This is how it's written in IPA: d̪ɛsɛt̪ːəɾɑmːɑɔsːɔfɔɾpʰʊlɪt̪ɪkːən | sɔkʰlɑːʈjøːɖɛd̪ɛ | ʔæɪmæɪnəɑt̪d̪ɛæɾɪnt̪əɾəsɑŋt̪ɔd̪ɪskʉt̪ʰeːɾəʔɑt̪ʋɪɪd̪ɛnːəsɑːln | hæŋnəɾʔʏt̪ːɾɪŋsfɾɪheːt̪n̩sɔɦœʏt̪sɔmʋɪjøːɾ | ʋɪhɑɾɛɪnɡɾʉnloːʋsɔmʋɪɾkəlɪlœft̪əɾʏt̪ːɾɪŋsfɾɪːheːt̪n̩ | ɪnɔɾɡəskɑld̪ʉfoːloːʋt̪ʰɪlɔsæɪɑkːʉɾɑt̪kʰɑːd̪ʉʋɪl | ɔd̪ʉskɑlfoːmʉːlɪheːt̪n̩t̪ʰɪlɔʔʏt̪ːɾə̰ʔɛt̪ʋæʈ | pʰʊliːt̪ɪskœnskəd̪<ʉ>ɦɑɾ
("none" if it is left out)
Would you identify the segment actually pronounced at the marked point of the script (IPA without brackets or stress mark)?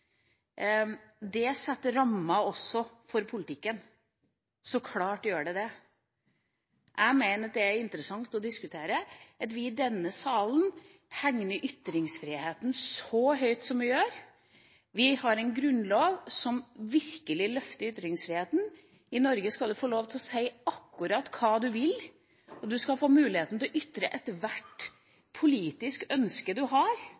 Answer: ʉ